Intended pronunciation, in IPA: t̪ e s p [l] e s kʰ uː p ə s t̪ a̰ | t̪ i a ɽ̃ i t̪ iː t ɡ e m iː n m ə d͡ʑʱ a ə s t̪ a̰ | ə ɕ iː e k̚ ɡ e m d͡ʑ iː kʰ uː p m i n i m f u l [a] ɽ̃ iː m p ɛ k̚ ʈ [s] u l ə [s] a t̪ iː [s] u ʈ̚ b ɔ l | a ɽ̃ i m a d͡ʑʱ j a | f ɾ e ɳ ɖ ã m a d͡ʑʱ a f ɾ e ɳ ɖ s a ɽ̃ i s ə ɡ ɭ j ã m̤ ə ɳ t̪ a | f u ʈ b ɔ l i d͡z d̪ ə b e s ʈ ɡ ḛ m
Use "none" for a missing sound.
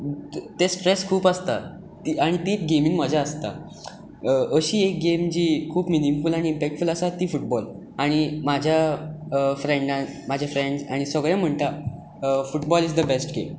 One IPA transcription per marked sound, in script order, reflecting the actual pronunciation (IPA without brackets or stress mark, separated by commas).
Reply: ɾ, a, f, s, f